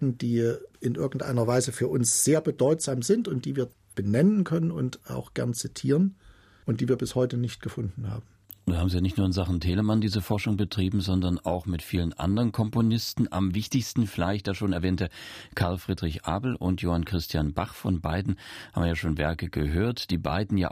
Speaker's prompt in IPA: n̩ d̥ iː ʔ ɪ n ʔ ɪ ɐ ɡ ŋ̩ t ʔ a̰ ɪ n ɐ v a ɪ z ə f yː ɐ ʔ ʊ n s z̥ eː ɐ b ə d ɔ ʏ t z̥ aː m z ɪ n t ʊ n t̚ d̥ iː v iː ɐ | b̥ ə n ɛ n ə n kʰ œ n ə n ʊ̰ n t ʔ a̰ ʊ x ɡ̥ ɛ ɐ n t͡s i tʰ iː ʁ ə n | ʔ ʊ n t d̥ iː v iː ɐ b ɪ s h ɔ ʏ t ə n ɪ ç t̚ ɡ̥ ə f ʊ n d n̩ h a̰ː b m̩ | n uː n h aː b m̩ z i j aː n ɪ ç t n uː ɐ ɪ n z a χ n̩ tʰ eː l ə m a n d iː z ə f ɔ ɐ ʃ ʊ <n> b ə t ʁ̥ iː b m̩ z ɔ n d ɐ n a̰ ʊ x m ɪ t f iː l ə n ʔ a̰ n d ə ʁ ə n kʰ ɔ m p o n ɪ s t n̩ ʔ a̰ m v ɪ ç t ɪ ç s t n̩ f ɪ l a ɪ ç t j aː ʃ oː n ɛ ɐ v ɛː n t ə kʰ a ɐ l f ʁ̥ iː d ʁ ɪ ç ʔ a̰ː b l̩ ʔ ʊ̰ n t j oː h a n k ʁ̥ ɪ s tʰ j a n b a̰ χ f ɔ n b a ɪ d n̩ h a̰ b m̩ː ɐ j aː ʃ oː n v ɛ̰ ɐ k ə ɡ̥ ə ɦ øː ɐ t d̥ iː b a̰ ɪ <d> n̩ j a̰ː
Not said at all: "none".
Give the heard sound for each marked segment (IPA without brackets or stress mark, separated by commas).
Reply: ŋ, d